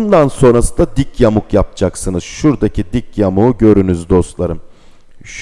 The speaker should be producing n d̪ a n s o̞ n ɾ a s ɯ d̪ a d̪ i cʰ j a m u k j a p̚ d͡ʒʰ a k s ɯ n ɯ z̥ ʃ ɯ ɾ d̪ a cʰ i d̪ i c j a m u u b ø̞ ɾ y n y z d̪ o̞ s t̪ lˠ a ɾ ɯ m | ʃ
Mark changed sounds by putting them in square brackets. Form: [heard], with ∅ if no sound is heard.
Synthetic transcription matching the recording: n d̪ a n s o̞ n ɾ a s ɯ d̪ a d̪ i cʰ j a m u k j a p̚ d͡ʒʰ a k s ɯ n ɯ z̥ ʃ [u] ɾ d̪ a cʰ i d̪ i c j a m u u [ɟ] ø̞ ɾ y n y z d̪ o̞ s t̪ lˠ a ɾ ɯ m | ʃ